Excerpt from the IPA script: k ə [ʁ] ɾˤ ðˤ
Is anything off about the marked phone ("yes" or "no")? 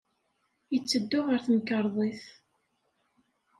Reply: yes